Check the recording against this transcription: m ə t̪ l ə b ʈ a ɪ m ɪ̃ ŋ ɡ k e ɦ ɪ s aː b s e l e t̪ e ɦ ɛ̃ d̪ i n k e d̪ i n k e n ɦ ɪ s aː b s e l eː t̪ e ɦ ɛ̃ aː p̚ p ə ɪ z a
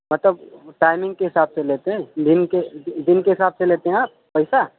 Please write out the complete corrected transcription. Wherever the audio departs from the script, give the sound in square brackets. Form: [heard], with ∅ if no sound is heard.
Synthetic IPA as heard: m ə t̪ l ə b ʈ a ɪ m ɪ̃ ŋ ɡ k e ɦ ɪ s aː b s e l e t̪ e ɦ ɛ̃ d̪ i n k e d̪ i n k e [∅] ɦ ɪ s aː b s e l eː t̪ e ɦ ɛ̃ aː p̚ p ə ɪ [s] a

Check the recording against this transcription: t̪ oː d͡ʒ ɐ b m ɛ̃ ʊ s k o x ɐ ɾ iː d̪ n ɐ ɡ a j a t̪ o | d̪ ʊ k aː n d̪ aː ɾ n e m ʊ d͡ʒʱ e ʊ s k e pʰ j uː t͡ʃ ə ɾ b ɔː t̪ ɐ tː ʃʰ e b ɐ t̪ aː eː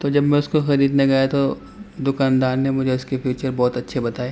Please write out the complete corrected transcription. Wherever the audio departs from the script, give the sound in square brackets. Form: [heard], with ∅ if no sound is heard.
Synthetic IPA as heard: t̪ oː d͡ʒ ɐ b m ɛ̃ ʊ s k o x ɐ ɾ iː d̪ n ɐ ɡ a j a t̪ o | d̪ ʊ k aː n d̪ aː ɾ n e m ʊ d͡ʒʱ e ʊ s k e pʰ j uː t͡ʃ ə ɾ b ɔː t̪ ɐ tː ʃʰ e b ɐ t̪ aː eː

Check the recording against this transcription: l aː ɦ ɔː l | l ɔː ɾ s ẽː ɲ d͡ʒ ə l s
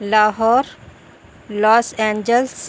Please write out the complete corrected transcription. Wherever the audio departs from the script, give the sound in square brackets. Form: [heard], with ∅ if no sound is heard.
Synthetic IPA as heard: l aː ɦ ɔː [ɾ] | l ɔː [∅] s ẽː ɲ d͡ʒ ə l s

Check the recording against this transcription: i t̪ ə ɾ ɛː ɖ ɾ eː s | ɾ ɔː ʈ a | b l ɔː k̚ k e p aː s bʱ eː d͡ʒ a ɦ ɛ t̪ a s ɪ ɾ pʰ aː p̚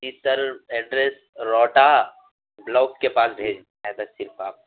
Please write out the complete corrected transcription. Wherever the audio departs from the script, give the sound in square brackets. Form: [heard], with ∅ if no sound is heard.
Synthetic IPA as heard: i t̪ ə ɾ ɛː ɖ ɾ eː s | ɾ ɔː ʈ a | b l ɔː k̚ k e p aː s bʱ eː d͡ʒ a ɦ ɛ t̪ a s ɪ ɾ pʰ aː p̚

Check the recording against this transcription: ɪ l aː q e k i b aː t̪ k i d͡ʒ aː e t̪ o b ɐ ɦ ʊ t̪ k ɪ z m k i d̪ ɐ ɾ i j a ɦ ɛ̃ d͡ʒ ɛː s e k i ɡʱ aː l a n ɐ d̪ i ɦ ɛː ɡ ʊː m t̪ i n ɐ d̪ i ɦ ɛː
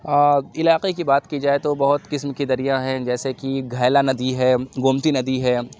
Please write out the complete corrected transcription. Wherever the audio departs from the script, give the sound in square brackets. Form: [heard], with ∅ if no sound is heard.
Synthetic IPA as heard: ɪ l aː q e k i b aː t̪ k i d͡ʒ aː e t̪ o b ɐ ɦ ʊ t̪ k ɪ [s] m k i d̪ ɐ ɾ i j a ɦ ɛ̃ d͡ʒ ɛː s e k i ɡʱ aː l a n ɐ d̪ i ɦ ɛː ɡ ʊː m t̪ i n ɐ d̪ i ɦ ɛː

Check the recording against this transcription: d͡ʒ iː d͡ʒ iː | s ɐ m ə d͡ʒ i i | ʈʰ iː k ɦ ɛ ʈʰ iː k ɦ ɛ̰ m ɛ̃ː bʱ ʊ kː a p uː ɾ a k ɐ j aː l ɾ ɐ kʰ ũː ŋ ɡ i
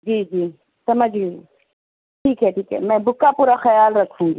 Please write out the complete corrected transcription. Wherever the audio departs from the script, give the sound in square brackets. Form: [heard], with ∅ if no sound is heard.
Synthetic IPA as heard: d͡ʒ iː d͡ʒ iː | s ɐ m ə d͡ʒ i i | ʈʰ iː k ɦ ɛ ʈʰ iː k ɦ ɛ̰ m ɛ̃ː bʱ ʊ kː a p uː ɾ a [x] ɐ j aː l ɾ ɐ kʰ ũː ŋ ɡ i

